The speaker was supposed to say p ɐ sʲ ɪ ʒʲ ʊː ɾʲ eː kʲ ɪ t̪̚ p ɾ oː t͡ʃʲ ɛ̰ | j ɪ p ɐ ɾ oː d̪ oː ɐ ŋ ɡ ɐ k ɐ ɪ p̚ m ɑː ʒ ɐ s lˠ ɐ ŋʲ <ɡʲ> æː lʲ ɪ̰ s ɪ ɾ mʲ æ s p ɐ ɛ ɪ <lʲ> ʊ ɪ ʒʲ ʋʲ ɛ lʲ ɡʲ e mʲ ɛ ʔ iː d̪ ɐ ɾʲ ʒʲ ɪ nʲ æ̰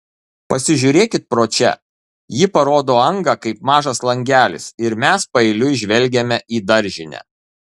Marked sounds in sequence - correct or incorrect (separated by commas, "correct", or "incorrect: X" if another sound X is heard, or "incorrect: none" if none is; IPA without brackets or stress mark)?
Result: correct, correct